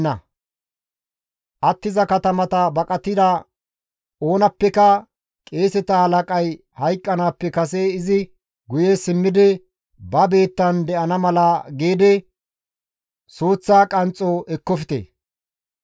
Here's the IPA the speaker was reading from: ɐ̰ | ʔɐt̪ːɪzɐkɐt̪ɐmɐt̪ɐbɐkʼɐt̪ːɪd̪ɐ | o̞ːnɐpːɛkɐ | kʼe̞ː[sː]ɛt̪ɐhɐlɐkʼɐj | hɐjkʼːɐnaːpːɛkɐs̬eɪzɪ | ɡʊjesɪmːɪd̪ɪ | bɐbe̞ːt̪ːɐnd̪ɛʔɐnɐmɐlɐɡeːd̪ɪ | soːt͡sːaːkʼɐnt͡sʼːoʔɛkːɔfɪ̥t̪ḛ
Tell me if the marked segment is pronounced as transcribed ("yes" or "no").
no